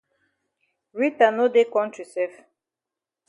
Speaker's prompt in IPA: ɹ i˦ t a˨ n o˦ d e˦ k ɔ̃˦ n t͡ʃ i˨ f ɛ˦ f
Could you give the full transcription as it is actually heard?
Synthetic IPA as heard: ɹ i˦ t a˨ n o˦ d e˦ k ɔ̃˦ n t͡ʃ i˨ s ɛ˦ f